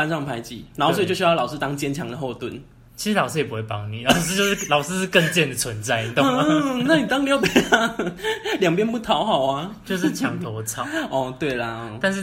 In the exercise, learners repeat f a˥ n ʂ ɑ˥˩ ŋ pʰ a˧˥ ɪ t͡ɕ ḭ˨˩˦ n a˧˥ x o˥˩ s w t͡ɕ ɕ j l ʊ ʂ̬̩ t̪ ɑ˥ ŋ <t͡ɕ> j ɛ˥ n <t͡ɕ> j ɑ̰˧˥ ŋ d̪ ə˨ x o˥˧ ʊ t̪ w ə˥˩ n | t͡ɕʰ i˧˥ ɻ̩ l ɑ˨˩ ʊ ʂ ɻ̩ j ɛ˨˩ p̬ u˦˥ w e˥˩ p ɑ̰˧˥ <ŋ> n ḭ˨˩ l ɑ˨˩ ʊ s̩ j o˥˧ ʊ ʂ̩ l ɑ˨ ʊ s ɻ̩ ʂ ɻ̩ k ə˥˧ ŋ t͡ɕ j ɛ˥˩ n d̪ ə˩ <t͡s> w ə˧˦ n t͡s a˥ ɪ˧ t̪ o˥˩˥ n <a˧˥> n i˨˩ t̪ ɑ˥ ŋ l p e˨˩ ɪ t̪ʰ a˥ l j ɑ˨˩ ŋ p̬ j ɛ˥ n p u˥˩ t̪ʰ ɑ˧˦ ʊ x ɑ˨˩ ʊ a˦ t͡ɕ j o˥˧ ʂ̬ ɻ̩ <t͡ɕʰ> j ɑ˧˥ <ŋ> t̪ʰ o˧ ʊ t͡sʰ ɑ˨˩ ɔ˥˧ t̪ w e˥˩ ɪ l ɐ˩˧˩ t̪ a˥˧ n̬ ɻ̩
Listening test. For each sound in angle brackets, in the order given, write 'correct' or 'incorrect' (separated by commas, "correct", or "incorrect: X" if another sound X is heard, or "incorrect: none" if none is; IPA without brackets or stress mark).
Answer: correct, incorrect: t͡ɕʰ, correct, incorrect: t͡sʰ, incorrect: a˥˩, correct, correct